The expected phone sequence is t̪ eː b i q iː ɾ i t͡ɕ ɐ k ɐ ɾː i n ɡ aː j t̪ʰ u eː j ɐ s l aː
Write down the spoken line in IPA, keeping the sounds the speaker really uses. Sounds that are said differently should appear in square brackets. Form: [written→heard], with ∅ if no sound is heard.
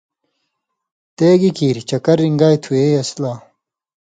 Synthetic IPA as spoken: t̪ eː [b→ɡ] i [q→k] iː ɾ i t͡ɕ ɐ k ɐ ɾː i [n→ŋ] ɡ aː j t̪ʰ u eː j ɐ s l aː